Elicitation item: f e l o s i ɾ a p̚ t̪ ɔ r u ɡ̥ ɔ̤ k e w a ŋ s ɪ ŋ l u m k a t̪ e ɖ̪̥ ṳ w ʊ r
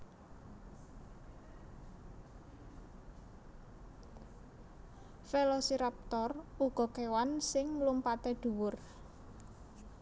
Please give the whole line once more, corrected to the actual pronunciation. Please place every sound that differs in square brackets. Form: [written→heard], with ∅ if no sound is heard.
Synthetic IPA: f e l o s i ɾ a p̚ t̪ ɔ r u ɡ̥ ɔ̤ k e w a [ŋ→n] s ɪ ŋ l u m [k→p] a t̪ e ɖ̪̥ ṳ w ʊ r